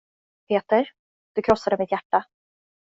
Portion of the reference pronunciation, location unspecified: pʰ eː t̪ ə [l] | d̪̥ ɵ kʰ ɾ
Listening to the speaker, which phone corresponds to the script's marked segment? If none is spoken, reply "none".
ɾ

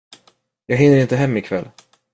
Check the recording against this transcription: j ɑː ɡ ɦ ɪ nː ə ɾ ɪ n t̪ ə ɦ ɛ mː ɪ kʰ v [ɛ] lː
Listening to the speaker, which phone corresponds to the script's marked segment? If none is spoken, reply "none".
ɛ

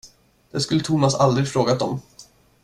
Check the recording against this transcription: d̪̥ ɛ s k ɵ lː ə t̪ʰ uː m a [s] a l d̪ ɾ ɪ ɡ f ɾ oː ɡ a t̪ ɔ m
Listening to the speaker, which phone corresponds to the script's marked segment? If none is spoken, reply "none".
s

